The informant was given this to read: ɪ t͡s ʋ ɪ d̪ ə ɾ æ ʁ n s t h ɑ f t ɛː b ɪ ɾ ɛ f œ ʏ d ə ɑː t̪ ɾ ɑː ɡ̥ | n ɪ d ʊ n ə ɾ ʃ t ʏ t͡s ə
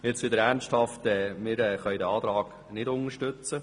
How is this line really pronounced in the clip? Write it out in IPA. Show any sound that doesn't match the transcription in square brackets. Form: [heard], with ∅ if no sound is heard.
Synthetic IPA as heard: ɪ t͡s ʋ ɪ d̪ ə ɾ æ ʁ n s t h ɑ f t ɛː [m] ɪ ɾ ɛ [χ] œ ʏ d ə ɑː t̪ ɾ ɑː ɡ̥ | n ɪ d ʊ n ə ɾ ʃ t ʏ t͡s ə